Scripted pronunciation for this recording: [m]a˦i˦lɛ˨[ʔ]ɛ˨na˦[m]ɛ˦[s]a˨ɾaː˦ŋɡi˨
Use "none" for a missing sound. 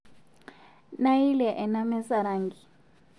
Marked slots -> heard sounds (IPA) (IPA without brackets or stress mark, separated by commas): n, ʔ, m, s